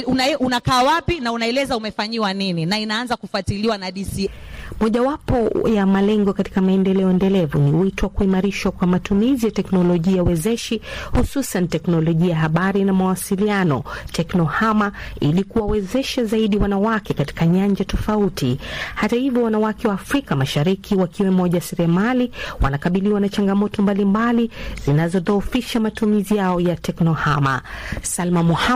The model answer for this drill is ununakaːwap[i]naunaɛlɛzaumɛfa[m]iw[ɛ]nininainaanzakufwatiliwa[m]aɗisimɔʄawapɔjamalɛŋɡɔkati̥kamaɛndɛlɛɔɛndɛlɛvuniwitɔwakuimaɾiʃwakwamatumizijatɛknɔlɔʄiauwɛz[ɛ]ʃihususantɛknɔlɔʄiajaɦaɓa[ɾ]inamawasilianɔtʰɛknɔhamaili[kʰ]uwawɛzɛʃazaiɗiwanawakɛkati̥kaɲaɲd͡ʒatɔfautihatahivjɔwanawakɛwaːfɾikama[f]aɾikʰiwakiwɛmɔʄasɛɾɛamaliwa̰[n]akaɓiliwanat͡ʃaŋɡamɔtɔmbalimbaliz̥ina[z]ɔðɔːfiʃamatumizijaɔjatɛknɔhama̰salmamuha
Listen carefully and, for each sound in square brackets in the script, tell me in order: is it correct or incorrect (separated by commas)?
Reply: correct, incorrect, incorrect, incorrect, correct, correct, incorrect, incorrect, correct, correct